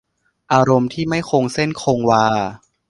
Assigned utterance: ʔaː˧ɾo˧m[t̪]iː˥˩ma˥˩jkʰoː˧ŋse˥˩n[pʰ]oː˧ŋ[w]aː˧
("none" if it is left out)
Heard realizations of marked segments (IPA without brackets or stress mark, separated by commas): t̪ʰ, kʰ, w